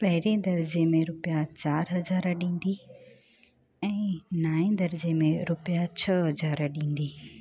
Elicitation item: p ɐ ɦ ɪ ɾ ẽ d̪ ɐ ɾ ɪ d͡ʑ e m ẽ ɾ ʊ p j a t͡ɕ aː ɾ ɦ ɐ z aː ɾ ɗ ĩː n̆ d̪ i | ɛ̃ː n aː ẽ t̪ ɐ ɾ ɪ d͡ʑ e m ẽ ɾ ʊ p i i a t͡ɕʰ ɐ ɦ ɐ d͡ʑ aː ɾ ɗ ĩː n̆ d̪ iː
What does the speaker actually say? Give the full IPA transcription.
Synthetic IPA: p ɐ ɦ ɪ ɾ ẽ d̪ ɐ ɾ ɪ d͡ʑ e m ẽ ɾ ʊ p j a t͡ɕ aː ɾ ɦ ɐ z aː ɾ ɗ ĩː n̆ d̪ i | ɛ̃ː n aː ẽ d̪ ɐ ɾ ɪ d͡ʑ e m ẽ ɾ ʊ p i j a t͡ɕʰ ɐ ɦ ɐ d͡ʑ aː ɾ ɗ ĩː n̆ d̪ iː